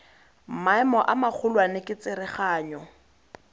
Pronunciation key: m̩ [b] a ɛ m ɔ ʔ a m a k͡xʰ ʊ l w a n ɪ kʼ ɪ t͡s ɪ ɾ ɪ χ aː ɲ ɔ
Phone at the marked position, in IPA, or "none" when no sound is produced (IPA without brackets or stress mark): m